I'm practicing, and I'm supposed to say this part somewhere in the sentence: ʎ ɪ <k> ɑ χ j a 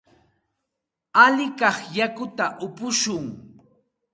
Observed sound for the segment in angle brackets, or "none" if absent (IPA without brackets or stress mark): k